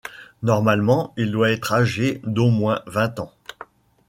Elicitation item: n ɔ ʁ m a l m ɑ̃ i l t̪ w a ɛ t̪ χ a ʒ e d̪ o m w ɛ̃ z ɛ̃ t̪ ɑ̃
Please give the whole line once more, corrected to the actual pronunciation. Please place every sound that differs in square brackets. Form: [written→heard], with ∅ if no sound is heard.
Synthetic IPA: n ɔ ʁ m a l m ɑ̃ i l [t̪→d̪] w a ɛ t̪ χ a ʒ e d̪ o m w ɛ̃ [z→v] ɛ̃ t̪ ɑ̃